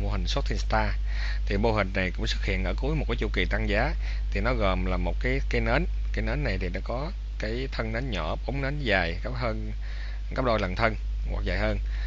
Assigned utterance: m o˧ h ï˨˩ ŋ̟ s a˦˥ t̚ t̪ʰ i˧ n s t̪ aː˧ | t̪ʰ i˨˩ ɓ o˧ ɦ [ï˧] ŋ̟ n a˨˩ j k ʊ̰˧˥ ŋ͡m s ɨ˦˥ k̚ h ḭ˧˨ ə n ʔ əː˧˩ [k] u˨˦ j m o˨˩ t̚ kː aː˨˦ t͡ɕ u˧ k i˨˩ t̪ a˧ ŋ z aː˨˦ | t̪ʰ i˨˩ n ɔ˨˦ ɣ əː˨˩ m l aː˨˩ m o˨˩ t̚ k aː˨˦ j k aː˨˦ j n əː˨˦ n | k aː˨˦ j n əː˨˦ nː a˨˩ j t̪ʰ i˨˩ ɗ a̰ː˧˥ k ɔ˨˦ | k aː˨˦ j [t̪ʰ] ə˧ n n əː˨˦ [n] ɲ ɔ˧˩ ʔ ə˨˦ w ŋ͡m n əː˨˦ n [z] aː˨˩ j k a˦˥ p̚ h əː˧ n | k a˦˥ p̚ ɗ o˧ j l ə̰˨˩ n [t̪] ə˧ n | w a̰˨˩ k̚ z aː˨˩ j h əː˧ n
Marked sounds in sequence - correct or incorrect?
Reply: incorrect: ï˨˩, correct, correct, correct, correct, incorrect: t̪ʰ

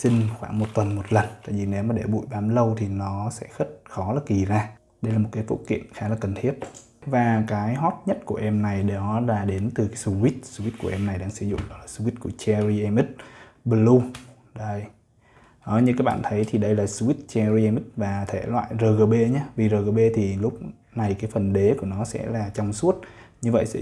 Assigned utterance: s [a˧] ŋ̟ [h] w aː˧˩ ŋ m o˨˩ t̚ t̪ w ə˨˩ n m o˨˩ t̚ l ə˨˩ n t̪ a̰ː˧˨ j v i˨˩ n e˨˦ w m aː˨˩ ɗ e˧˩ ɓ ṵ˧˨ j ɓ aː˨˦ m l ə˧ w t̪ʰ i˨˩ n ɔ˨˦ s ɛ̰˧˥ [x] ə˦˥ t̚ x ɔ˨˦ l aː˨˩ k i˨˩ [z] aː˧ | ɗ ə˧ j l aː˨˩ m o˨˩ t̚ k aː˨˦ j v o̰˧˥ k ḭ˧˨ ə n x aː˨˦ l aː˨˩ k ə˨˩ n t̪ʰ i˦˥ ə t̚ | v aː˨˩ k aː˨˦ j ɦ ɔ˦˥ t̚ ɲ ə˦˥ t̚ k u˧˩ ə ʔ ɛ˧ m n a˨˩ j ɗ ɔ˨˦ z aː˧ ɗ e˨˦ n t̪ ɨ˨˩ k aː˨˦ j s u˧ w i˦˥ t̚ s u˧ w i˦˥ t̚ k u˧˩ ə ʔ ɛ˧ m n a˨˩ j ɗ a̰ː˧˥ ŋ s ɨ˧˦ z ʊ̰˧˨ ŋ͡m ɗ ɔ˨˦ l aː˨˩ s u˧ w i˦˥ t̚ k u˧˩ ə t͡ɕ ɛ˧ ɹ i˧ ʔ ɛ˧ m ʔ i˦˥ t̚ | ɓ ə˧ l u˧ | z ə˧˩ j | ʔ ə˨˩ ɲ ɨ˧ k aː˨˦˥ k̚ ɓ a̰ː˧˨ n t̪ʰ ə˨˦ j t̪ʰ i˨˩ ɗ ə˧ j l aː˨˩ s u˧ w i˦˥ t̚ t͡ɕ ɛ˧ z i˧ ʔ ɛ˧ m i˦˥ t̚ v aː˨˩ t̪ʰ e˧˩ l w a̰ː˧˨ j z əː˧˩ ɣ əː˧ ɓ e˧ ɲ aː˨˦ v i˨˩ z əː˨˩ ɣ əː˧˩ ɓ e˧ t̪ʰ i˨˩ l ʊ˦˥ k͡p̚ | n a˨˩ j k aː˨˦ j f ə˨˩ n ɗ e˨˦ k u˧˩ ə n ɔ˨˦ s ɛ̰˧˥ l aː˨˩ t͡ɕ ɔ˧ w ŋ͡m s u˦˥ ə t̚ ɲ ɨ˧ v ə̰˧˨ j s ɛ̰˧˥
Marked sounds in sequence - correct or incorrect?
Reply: incorrect: i˧, incorrect: x, correct, correct

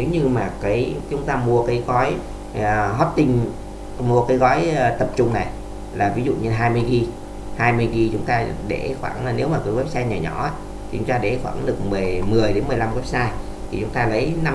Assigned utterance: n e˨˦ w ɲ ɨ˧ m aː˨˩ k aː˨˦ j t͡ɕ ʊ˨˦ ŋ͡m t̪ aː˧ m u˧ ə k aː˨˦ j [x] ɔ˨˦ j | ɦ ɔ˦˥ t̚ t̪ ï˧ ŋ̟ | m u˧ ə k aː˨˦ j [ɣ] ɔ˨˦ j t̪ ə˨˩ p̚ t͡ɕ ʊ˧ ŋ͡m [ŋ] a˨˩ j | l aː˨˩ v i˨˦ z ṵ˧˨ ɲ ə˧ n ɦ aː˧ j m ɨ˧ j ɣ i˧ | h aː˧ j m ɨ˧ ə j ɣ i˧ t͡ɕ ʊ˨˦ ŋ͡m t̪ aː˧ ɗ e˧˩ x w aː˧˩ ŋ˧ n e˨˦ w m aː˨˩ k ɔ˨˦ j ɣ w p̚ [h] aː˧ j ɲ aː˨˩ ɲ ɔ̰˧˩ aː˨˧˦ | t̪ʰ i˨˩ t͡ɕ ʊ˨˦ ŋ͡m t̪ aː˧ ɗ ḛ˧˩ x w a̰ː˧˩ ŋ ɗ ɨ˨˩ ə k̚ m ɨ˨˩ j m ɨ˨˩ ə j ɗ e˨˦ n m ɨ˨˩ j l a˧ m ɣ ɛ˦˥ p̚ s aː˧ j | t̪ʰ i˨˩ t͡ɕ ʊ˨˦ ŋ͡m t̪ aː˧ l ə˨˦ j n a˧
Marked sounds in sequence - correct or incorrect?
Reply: incorrect: ɣ, correct, incorrect: n, incorrect: s

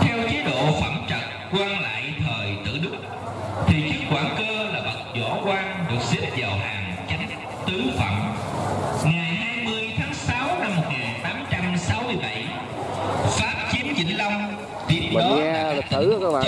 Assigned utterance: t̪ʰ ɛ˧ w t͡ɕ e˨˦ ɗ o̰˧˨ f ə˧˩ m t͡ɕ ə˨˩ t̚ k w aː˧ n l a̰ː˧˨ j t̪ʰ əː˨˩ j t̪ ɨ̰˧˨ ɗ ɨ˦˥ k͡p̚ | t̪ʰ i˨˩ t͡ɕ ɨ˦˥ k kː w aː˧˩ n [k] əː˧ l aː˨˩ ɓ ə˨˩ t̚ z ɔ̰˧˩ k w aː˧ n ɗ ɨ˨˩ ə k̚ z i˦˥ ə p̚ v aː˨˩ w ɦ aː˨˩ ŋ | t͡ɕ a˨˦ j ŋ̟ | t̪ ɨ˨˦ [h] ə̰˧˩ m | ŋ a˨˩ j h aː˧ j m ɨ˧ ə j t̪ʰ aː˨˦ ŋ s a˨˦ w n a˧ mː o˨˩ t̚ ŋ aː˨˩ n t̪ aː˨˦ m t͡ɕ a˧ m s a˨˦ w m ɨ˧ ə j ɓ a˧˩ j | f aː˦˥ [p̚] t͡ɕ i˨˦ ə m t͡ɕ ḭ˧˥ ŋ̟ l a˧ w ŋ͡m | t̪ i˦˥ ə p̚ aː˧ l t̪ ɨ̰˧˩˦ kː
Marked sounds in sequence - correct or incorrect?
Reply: correct, incorrect: f, correct

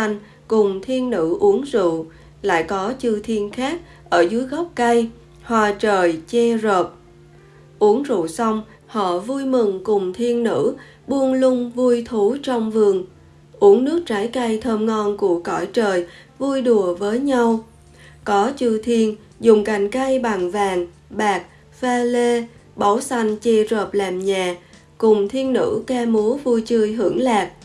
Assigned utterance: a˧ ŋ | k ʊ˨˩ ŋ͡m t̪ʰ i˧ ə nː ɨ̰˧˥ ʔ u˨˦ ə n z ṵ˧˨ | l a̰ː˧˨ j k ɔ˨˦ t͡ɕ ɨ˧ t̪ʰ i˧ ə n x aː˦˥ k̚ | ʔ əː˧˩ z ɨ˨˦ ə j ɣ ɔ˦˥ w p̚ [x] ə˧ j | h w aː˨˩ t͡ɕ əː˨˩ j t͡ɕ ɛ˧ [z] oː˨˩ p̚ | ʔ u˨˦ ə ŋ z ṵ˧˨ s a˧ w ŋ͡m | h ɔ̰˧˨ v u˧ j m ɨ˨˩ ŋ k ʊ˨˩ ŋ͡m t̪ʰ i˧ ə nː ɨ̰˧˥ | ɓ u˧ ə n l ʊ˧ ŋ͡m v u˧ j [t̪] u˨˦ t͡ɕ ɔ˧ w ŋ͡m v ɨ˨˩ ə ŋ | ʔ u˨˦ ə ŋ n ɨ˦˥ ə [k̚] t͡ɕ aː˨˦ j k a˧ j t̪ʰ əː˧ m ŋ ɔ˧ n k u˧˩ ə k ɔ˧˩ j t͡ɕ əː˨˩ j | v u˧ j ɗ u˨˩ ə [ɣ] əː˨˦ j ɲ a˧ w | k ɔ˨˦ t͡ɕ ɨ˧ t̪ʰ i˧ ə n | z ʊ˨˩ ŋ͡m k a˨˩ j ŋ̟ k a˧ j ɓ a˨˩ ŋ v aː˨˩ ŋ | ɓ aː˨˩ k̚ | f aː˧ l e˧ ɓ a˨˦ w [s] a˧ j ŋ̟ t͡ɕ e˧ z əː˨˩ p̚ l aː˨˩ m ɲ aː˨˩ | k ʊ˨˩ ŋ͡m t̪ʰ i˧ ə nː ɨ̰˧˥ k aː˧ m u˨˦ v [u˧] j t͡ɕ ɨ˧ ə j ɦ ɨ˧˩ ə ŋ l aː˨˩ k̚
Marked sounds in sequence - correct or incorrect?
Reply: incorrect: k, correct, incorrect: t̪ʰ, correct, incorrect: v, correct, correct

